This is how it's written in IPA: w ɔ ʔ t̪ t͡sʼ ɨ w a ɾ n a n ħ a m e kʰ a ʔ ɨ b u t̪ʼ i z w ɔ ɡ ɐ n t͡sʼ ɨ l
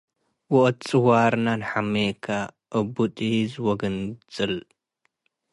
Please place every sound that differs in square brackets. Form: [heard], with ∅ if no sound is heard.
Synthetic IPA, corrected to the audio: w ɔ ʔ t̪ t͡sʼ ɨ w a ɾ n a n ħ a m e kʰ a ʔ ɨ b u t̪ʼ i z w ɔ ɡ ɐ n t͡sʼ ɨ l